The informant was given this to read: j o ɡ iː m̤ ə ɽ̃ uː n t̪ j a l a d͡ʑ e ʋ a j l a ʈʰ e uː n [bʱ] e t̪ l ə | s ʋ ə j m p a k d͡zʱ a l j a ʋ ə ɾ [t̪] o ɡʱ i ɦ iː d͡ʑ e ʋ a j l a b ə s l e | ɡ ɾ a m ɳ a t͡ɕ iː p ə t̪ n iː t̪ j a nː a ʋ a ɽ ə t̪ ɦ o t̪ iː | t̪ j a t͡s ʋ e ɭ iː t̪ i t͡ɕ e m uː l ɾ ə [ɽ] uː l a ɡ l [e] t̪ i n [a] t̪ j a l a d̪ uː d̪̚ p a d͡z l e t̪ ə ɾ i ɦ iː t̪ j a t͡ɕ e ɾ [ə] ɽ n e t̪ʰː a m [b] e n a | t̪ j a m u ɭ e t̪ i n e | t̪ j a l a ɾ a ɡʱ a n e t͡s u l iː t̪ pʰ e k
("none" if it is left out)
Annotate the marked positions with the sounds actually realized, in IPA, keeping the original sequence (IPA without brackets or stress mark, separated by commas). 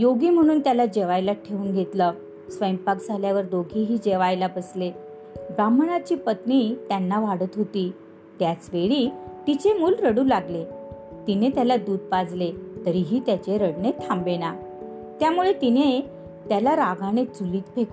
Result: ɡʱ, d̪, ɽ, e, e, ə, b